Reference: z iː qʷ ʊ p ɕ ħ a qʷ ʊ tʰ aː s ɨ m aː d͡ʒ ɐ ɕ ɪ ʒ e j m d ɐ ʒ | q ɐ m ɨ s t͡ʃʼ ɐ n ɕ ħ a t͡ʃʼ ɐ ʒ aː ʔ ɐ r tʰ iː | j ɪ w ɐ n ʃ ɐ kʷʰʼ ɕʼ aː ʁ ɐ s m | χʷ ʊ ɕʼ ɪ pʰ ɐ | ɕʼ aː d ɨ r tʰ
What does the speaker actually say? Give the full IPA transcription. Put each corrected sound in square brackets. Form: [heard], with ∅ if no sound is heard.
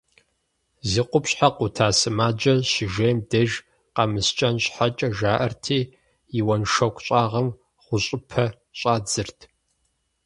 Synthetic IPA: z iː qʷ ʊ p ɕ ħ a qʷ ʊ tʰ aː s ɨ m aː d͡ʒ ɐ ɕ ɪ ʒ e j m d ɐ ʒ | q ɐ m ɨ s t͡ʃʼ ɐ n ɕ ħ a t͡ʃʼ ɐ ʒ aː ʔ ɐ r tʰ iː | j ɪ w ɐ n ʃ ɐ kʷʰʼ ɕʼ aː ʁ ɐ [∅] m | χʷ ʊ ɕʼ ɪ pʰ ɐ | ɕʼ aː [d͡z] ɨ r tʰ